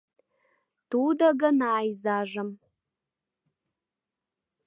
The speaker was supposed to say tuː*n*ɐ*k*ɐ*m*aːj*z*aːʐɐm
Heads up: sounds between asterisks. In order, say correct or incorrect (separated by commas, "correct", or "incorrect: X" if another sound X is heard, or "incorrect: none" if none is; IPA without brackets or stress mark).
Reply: incorrect: d, incorrect: ɡ, incorrect: n, correct